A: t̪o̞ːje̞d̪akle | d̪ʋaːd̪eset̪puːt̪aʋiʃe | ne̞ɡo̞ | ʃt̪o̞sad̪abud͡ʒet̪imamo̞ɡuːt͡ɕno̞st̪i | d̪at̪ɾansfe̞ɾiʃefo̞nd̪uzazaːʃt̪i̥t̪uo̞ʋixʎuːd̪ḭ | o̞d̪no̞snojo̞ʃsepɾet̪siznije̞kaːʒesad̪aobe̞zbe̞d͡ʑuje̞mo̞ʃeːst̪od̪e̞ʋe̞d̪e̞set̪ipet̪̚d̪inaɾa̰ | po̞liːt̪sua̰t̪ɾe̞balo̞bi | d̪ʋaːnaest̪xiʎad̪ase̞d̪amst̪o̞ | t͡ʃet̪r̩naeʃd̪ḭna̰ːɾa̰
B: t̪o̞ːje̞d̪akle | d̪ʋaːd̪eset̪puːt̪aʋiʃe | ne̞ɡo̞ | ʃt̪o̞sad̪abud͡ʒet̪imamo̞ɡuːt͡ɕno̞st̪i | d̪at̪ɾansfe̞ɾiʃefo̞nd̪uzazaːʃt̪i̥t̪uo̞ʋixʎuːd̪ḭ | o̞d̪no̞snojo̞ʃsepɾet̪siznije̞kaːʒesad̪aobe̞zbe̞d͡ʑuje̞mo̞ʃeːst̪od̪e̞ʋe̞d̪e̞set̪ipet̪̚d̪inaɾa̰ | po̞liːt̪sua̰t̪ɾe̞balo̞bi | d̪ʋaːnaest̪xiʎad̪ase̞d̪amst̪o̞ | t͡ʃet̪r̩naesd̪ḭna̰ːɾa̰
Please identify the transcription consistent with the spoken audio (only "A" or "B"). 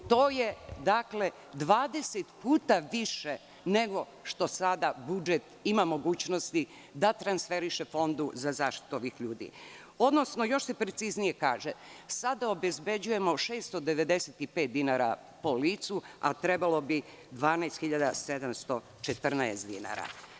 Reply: B